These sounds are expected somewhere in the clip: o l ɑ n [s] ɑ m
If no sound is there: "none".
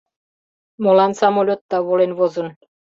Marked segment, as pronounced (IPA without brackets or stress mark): s